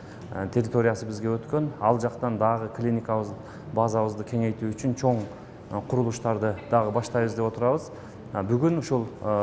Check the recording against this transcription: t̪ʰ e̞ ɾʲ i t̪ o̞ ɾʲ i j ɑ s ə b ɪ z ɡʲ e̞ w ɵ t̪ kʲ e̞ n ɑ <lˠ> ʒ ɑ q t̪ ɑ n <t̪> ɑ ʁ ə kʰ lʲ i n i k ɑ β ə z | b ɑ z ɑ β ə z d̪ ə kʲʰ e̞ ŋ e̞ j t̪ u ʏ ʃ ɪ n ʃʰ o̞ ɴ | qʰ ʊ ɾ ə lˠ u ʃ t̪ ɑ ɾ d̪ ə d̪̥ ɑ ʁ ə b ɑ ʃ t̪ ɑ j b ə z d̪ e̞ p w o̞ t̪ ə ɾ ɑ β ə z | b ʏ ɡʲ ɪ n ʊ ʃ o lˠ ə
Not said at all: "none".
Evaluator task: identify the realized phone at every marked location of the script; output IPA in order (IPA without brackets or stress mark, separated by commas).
lˠ, d̪